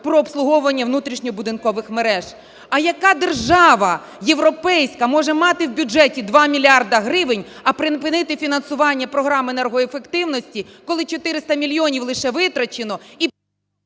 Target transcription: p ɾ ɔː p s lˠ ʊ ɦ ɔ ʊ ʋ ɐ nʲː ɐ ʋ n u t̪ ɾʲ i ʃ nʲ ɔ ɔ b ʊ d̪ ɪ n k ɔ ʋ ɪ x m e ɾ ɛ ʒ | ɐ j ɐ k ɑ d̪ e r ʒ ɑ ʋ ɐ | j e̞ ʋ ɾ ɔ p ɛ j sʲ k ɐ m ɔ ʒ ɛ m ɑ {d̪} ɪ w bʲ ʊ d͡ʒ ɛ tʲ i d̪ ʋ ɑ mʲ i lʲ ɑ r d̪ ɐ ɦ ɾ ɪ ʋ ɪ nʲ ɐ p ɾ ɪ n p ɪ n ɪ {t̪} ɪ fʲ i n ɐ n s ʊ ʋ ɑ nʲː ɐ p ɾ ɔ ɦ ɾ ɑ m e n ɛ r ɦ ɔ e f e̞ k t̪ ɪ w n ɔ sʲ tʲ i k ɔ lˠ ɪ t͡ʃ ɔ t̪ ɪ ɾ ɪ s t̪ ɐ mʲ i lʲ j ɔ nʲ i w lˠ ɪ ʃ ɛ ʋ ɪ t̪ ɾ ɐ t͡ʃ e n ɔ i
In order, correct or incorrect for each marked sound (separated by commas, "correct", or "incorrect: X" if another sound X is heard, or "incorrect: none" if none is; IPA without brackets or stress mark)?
incorrect: t̪, correct